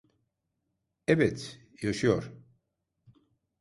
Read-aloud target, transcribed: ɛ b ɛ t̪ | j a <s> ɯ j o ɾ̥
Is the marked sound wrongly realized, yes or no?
yes